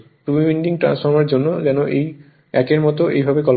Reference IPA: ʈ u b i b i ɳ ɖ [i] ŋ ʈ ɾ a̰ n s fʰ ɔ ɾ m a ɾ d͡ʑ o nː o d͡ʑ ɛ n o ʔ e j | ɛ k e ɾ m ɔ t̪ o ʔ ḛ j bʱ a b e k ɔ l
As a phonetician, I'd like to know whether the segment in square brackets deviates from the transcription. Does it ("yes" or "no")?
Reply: no